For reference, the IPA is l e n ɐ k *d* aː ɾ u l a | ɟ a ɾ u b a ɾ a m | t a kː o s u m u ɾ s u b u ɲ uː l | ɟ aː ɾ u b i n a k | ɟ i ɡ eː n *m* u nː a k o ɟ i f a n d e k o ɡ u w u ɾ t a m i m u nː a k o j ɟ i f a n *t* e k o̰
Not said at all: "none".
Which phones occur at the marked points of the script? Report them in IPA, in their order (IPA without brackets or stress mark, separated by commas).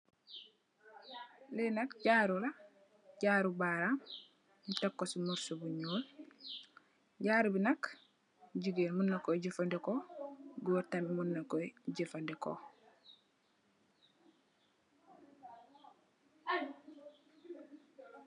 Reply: ɟ, m, d